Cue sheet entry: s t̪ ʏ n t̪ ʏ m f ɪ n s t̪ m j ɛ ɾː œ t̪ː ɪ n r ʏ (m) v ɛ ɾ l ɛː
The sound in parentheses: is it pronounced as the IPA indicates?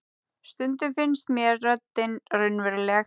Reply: no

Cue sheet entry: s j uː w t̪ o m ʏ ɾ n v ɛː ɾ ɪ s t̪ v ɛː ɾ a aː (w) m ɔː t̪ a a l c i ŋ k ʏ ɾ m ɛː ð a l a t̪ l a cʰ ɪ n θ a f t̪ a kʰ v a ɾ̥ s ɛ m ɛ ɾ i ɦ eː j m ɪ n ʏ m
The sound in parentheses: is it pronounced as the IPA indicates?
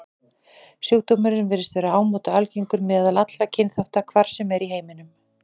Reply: yes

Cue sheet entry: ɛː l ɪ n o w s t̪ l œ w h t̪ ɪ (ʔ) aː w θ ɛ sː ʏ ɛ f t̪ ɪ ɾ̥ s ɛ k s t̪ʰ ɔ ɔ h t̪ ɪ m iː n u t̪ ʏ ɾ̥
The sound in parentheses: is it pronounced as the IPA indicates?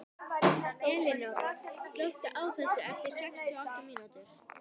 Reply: yes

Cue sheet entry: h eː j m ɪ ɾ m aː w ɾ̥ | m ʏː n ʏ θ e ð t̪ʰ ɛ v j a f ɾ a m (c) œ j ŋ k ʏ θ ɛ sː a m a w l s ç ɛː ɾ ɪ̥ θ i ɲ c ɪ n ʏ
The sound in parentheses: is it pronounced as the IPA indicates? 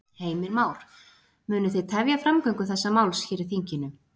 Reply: no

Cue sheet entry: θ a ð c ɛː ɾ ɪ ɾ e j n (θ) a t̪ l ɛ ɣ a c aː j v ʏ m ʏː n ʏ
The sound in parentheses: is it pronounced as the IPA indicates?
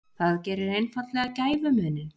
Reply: no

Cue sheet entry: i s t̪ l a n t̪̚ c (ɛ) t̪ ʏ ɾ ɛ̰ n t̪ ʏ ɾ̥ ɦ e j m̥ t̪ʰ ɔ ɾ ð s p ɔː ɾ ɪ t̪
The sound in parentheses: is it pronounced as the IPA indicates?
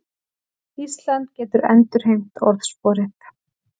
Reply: no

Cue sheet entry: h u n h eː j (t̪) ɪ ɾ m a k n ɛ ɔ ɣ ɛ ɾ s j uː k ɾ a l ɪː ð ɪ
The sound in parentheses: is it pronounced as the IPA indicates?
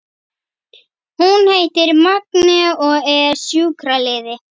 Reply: yes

